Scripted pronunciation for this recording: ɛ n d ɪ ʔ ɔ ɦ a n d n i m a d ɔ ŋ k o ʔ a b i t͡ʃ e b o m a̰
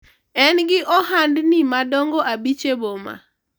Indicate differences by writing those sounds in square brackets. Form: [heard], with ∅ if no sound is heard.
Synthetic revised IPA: ɛ n [ɡ] ɪ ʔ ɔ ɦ a n d n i m a d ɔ ŋ [ɡ] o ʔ a b i t͡ʃ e b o m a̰